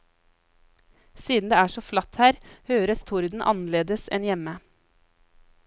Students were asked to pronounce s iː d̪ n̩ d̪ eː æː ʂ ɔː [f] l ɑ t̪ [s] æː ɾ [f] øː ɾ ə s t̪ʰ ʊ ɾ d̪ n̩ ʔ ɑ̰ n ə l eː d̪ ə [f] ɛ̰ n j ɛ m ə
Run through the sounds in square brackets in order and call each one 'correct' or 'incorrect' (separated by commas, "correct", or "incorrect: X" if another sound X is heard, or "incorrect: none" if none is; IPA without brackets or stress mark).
correct, incorrect: h, incorrect: h, incorrect: s